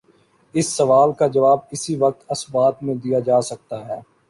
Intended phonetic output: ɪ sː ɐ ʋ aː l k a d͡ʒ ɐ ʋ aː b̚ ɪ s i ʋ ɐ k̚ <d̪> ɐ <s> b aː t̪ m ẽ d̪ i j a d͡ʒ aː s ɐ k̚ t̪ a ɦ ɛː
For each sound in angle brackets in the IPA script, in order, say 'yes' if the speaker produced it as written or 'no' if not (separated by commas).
no, yes